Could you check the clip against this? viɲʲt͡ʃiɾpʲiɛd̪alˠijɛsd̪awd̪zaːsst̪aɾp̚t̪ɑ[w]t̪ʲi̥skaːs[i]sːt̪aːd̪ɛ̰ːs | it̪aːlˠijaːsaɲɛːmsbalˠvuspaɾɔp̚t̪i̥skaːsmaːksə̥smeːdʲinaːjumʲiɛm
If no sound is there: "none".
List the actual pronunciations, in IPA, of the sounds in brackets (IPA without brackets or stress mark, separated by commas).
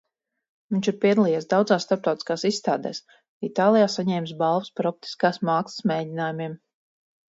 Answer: w, i